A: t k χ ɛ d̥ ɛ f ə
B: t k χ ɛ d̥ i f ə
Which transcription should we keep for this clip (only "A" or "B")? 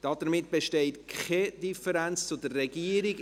B